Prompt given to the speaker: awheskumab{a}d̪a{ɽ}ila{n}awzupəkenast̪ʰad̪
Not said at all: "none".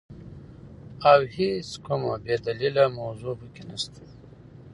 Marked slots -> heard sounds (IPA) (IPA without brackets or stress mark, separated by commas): e, l, m